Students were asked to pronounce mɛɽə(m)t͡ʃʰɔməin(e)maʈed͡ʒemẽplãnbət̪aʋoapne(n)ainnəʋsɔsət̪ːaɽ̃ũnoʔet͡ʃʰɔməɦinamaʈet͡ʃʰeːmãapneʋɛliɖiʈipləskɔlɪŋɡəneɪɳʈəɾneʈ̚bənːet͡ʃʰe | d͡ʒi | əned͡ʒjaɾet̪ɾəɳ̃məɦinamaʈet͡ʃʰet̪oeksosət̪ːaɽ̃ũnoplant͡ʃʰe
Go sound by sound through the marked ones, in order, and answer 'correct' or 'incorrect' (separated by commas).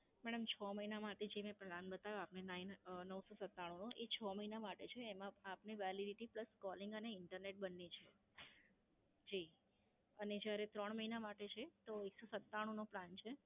correct, incorrect, correct